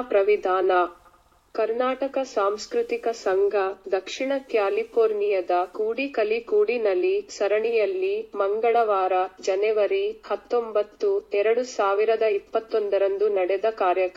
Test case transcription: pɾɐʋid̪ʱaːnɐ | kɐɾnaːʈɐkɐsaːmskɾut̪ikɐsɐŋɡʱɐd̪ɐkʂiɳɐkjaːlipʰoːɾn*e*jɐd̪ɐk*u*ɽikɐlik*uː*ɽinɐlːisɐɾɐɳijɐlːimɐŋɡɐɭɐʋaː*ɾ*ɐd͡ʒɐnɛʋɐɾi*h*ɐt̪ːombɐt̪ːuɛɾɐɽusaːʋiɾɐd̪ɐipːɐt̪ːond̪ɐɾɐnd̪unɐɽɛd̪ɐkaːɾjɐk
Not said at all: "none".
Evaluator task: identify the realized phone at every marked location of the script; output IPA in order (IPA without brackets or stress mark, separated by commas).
i, uː, uː, ɾ, h